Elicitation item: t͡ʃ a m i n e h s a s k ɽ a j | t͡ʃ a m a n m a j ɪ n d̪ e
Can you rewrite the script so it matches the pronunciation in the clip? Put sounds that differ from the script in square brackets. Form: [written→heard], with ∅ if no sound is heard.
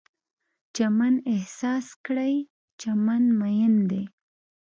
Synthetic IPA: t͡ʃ a m [i→a] n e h s [a→ɑ] s k ɽ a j | t͡ʃ a m a n m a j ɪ n d̪ e